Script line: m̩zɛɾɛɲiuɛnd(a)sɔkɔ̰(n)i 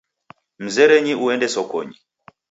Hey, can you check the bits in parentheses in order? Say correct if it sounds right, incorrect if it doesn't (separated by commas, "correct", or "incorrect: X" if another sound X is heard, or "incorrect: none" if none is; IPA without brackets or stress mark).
incorrect: ɛ, incorrect: ɲ